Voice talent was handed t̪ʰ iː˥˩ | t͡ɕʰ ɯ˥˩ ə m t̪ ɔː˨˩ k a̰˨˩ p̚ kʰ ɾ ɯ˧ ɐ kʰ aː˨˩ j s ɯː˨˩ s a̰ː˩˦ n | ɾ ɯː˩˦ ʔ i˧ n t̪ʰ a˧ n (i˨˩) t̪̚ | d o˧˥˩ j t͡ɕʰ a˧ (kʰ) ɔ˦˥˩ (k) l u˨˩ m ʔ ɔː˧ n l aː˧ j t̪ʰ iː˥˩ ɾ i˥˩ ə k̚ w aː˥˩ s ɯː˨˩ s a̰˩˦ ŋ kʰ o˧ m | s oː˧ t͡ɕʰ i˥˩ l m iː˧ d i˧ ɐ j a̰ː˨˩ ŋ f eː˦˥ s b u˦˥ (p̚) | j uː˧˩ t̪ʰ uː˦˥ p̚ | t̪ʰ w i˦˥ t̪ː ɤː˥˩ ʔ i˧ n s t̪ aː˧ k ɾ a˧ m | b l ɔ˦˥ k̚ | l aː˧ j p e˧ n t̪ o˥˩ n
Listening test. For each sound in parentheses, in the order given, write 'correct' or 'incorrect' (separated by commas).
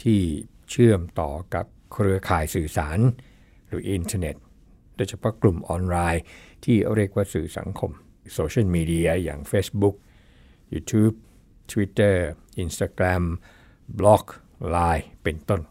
incorrect, incorrect, correct, incorrect